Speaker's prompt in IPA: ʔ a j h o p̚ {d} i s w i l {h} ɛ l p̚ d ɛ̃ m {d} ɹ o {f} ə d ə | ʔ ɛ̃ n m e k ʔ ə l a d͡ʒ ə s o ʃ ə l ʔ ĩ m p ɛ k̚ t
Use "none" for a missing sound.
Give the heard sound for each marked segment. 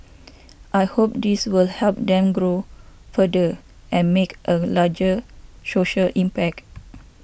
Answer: d, h, ɡ, f

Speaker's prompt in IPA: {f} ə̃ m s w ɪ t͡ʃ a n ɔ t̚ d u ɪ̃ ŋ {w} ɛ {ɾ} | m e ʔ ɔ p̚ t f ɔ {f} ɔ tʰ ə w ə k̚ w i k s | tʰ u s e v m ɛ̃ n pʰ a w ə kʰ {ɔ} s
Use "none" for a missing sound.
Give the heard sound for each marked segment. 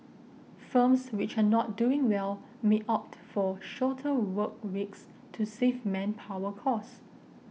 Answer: f, w, l, ʃ, ɔ

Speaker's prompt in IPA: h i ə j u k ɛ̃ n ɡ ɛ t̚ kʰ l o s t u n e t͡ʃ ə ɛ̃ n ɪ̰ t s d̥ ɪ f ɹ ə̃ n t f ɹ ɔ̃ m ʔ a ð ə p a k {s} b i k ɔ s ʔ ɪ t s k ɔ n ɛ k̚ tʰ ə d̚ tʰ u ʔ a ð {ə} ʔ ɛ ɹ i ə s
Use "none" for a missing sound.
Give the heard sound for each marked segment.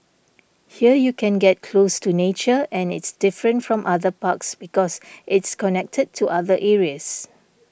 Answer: s, ə

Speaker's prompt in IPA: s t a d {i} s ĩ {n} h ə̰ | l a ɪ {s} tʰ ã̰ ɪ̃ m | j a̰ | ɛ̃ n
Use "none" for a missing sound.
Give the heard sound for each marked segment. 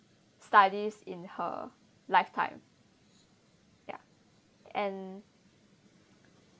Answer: i, n, f

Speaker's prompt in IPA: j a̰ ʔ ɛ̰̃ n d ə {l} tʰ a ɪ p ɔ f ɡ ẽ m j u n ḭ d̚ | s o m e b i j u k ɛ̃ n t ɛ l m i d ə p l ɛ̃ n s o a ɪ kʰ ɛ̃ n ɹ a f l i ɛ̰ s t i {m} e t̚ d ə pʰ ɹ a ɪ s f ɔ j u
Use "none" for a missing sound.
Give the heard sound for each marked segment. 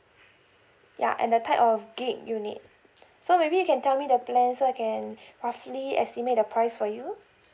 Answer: none, m

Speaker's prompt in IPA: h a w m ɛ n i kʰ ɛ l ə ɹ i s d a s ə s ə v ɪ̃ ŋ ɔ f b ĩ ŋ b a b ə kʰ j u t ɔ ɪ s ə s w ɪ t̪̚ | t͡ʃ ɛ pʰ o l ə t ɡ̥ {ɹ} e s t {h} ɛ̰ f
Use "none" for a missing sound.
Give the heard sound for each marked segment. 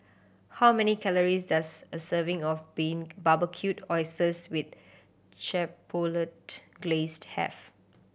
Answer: l, h

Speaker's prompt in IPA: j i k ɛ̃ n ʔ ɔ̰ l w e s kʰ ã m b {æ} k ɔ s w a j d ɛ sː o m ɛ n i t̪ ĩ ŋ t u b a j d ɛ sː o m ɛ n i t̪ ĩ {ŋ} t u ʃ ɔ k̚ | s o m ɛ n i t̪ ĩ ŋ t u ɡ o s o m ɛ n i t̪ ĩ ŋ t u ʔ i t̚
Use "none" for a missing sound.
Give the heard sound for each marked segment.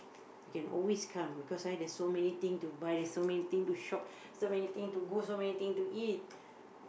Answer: i, ŋ

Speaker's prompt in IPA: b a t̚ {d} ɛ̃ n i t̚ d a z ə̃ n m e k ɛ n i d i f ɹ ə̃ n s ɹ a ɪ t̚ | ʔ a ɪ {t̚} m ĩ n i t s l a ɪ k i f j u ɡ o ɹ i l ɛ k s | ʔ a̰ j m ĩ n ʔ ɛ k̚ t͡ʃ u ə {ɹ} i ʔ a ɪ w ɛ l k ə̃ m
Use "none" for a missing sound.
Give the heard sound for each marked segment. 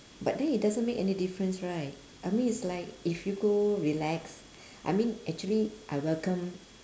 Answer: d, none, l

